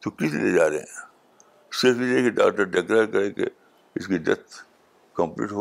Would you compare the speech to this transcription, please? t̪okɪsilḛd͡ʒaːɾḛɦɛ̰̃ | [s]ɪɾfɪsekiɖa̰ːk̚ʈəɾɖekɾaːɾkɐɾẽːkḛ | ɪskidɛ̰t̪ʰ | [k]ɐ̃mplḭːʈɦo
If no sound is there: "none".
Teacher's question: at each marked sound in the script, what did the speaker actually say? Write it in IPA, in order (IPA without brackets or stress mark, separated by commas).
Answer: s, k